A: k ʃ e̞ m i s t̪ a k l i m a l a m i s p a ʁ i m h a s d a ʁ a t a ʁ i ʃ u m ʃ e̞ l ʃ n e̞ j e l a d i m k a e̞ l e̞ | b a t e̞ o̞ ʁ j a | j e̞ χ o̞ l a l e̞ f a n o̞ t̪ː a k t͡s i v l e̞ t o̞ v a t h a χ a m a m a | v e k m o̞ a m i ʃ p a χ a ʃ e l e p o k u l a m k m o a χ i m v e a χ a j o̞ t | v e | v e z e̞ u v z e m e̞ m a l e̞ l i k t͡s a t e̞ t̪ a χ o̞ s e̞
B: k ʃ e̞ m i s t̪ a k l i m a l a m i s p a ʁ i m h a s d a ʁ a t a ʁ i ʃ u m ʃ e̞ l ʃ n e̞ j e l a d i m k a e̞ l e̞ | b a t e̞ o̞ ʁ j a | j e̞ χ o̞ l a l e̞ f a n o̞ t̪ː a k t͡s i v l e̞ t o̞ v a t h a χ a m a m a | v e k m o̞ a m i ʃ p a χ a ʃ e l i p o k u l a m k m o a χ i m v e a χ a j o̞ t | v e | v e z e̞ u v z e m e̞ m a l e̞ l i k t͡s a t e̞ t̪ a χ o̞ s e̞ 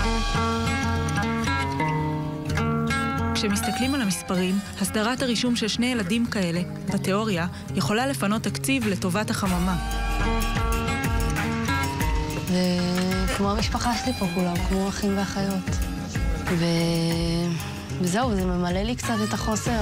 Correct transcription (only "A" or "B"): B